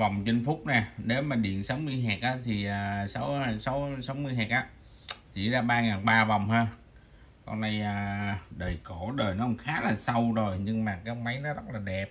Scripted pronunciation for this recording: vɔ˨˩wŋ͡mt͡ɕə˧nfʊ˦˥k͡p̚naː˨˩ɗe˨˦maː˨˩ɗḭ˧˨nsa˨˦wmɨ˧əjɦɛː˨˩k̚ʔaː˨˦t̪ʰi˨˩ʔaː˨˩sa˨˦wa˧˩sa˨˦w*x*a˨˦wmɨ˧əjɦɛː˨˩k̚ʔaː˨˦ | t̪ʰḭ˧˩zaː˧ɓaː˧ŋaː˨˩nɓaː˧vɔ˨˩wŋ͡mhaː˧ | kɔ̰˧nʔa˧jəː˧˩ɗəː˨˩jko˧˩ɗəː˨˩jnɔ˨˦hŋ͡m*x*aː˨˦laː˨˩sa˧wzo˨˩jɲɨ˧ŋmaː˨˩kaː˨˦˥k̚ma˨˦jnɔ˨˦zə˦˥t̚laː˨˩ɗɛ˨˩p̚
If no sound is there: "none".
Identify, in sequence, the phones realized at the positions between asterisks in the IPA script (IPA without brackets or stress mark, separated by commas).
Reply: s, x